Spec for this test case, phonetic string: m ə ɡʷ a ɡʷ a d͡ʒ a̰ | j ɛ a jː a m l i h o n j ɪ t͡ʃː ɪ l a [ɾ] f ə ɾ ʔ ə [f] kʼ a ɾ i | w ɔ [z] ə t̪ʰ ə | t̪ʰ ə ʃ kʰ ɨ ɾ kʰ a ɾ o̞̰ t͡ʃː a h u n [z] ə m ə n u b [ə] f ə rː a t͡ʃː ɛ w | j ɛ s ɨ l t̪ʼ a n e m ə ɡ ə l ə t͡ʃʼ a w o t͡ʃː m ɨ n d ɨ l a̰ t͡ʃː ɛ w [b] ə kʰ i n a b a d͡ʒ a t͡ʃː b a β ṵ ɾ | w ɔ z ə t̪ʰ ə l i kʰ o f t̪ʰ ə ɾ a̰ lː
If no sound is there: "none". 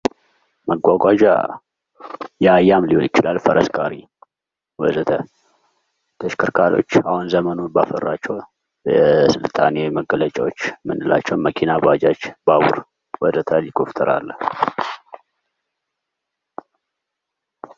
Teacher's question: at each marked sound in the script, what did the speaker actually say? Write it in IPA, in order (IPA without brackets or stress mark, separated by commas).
l, s, z, z, a, m